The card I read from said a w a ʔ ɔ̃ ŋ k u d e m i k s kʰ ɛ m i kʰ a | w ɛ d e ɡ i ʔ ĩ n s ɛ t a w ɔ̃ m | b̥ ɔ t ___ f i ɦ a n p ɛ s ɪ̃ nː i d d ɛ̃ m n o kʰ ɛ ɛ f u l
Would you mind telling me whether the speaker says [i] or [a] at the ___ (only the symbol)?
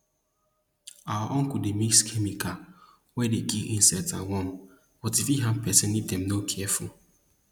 i